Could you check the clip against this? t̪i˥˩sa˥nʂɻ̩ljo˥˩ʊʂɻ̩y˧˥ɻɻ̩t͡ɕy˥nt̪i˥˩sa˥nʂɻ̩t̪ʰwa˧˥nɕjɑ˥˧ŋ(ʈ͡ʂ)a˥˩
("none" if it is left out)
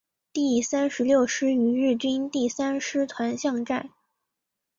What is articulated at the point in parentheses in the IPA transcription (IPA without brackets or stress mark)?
ʈ͡ʂ